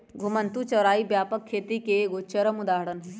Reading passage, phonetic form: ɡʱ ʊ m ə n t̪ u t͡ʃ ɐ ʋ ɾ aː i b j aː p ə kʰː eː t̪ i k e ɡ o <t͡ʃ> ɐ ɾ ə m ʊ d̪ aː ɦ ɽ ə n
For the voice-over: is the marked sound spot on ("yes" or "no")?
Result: yes